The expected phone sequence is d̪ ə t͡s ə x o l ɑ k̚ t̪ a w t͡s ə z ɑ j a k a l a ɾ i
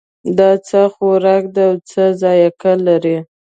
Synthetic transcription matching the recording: d̪ ɑ t͡s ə x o ɾ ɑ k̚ d̪ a w t͡s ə z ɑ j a k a l a ɾ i